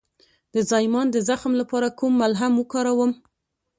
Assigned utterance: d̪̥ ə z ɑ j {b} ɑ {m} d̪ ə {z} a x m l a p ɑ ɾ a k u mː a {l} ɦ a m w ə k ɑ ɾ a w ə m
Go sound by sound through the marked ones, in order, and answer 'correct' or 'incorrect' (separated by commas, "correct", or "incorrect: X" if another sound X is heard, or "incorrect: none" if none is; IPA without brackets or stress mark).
incorrect: m, incorrect: n, correct, correct